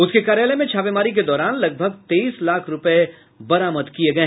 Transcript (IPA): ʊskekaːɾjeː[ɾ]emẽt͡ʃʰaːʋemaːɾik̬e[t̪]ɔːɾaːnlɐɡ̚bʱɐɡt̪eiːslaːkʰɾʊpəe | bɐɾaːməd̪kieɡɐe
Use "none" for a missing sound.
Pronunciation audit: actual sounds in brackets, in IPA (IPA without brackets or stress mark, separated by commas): l, d̪